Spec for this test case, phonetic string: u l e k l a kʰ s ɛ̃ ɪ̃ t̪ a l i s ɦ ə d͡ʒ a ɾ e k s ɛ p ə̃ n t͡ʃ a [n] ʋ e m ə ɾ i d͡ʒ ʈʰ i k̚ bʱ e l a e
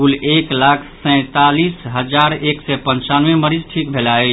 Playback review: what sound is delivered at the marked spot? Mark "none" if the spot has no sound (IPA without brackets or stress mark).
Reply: n